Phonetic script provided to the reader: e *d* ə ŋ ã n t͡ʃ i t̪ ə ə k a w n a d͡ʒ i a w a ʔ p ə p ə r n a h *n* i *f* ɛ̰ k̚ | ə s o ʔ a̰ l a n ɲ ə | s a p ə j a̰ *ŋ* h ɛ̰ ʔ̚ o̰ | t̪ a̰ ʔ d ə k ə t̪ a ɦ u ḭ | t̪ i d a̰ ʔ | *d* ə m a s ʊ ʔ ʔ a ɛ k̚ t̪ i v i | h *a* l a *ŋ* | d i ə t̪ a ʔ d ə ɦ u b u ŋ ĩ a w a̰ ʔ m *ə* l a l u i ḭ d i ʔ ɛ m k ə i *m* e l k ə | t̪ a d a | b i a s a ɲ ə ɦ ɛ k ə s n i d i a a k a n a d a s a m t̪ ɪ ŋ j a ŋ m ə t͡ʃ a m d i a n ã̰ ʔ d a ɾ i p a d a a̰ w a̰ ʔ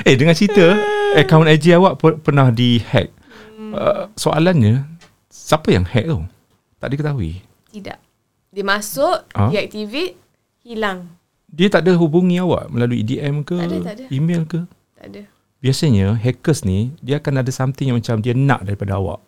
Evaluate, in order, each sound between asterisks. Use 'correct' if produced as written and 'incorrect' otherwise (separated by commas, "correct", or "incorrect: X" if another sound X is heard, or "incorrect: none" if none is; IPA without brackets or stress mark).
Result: correct, incorrect: d, incorrect: h, correct, correct, incorrect: i, correct, correct, correct